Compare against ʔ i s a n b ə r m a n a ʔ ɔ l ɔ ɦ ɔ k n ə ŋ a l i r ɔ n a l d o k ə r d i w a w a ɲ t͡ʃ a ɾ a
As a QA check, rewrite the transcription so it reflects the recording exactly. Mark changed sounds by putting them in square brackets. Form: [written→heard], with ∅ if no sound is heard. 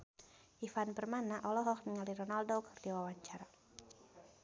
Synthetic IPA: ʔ i [s→f] a n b ə r m a n a ʔ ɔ l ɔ ɦ ɔ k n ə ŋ a l i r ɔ n a l d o k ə r d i w a w a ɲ t͡ʃ a ɾ a